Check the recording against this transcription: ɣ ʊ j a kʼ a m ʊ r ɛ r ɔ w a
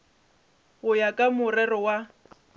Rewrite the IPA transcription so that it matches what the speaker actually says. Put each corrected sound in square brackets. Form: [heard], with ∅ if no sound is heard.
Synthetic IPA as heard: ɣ ʊ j a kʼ a m ʊ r ɛ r ɔ w a